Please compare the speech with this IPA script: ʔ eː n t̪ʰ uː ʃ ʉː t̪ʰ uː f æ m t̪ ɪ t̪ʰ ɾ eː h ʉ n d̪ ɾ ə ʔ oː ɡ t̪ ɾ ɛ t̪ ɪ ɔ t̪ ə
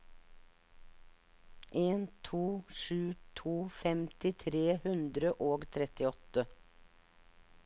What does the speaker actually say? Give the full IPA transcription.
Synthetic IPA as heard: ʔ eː n t̪ʰ uː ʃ ʉː t̪ʰ uː f ɛ m t̪ ɪ t̪ʰ ɾ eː h ʉ n d̪ ɾ ə ʔ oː ɡ t̪ʰ ɾ ɛ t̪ ɪ ɔ t̪ ə